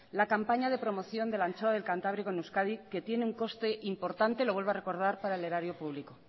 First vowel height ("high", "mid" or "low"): low